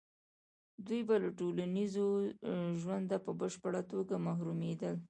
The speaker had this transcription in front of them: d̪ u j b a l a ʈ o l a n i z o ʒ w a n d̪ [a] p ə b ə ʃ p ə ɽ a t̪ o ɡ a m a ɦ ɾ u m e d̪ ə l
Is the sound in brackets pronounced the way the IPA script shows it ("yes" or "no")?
yes